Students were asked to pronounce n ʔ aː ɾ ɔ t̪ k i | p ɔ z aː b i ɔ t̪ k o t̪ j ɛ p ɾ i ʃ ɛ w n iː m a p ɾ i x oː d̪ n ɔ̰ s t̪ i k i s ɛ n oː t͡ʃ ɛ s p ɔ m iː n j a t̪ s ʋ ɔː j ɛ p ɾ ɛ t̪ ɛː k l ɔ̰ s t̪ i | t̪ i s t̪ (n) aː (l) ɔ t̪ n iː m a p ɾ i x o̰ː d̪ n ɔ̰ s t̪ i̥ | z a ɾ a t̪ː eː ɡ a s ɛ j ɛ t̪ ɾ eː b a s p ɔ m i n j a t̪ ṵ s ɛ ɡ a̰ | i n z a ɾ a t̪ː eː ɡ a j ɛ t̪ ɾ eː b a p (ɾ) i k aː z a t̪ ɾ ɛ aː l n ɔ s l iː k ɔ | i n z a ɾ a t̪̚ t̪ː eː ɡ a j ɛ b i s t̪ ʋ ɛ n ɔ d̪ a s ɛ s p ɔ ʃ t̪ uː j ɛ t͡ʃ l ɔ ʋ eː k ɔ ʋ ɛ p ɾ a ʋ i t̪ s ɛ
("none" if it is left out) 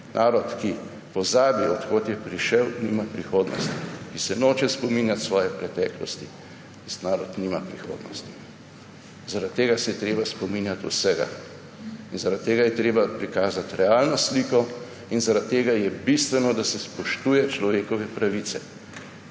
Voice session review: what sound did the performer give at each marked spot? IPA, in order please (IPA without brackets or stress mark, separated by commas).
n, ɾ, ɾ